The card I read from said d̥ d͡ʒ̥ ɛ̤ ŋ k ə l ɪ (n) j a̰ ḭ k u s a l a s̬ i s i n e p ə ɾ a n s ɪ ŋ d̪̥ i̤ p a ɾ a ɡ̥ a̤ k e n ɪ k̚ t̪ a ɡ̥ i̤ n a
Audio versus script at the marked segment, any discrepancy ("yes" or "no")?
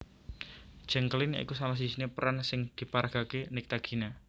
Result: no